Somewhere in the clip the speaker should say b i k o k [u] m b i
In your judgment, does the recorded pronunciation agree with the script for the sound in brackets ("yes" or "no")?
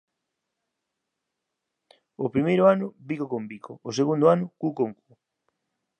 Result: no